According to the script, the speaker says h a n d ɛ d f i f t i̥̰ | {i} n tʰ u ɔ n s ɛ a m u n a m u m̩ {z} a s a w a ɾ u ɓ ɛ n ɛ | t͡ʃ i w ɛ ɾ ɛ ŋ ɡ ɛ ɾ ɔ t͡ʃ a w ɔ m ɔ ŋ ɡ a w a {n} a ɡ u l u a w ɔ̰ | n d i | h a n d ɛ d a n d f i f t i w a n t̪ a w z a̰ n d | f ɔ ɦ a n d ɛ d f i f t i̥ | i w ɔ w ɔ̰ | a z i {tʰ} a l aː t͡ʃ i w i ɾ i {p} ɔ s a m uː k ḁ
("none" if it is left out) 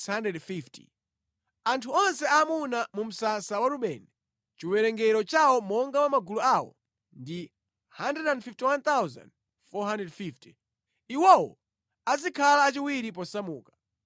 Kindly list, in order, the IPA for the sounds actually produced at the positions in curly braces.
a, s, m, kʰ, p

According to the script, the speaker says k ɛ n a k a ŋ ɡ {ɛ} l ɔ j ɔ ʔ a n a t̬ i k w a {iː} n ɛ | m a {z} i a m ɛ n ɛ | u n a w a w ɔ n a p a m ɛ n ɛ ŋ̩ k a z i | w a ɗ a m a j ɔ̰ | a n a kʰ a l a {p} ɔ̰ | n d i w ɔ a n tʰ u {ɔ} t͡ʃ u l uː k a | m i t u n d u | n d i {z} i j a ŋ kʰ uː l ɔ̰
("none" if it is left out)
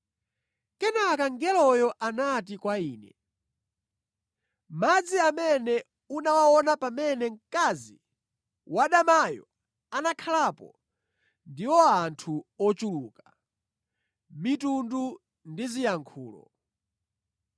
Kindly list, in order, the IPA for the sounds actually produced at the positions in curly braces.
ɛ, iː, d͡z, p, ɔ, z

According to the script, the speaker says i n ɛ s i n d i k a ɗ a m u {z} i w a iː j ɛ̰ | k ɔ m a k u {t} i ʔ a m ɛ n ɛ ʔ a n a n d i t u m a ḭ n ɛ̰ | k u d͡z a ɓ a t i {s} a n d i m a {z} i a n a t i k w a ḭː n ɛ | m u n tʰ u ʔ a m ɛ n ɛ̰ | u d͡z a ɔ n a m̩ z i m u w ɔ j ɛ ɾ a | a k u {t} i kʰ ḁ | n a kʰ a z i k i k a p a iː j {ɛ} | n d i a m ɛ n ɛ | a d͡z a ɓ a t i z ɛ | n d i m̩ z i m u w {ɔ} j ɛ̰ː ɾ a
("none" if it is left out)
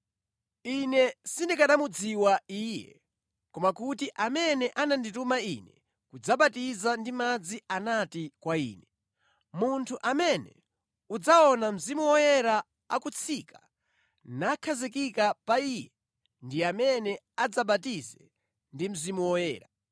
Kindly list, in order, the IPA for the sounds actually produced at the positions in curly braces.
d͡z, t, z, d͡z, t͡sʰ, ɛ, ɔ

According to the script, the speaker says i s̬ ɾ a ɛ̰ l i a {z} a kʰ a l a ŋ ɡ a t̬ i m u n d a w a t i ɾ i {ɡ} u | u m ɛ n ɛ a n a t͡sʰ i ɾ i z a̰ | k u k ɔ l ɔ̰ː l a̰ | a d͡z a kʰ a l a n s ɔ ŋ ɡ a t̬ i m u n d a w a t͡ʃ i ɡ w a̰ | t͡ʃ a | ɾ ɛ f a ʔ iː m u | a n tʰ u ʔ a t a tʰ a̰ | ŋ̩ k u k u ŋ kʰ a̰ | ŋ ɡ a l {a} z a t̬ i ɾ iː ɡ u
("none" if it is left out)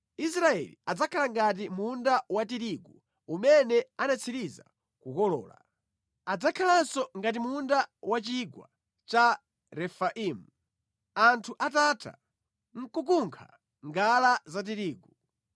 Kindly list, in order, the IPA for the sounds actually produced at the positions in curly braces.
d͡z, ɡ, a

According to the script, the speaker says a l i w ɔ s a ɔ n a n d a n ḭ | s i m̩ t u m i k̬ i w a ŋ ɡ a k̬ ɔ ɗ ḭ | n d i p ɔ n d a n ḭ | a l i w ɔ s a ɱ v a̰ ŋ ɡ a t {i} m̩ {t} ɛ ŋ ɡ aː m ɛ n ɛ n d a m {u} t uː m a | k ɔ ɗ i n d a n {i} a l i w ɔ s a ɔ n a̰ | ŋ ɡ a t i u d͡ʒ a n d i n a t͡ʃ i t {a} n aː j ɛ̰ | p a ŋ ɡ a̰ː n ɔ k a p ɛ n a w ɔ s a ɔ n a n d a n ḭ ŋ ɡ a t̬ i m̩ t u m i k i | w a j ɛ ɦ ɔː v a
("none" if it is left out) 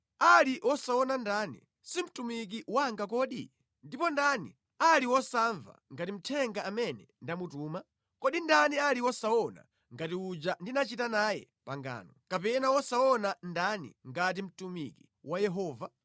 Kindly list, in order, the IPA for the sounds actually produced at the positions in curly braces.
i, tʰ, u, i, a

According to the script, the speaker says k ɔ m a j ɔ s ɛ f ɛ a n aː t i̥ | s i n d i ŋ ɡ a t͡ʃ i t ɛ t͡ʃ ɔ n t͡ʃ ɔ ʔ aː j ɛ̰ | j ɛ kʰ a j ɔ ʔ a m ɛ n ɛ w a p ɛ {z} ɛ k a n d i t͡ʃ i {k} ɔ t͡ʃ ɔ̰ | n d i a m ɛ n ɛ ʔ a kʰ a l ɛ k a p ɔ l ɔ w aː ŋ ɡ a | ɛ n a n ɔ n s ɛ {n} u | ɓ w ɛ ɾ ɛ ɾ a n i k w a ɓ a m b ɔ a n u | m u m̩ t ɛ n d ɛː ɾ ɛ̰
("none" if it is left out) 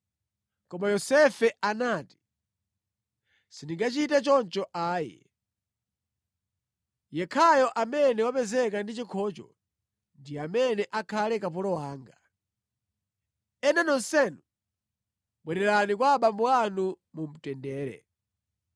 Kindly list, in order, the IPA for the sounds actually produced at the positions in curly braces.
z, kʰ, n

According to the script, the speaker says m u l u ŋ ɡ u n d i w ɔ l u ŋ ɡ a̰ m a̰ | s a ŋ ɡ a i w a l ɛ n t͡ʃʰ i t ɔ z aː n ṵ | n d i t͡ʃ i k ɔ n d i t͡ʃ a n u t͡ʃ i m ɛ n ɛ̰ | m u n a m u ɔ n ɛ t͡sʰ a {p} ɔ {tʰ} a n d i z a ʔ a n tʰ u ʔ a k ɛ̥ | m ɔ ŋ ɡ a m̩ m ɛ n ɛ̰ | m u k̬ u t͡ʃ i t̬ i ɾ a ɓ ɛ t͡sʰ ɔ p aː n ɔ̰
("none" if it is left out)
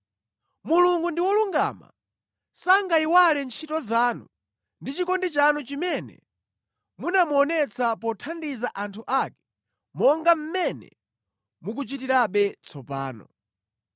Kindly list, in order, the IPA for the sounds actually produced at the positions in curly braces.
p, tʰ

